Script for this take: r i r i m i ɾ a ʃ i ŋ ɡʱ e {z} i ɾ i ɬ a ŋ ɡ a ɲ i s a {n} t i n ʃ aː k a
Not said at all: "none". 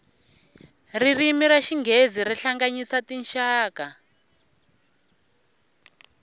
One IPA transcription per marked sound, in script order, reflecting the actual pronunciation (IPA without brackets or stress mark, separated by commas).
z, none